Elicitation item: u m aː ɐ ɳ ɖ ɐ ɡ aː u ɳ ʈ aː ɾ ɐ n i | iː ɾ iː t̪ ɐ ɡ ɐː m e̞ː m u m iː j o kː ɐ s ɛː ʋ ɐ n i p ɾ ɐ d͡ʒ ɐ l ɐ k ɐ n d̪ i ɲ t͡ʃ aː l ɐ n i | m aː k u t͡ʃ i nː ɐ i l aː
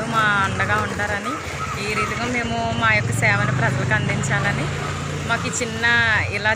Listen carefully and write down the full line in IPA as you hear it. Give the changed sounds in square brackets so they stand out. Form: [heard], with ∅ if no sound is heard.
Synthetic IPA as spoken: u m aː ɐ ɳ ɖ ɐ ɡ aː u ɳ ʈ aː ɾ ɐ n i | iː ɾ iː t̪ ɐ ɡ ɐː m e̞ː m u m [aː] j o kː ɐ s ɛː ʋ ɐ n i p ɾ ɐ d͡ʒ ɐ l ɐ k ɐ n d̪ i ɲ t͡ʃ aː l ɐ n i | m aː k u t͡ʃ i nː ɐ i l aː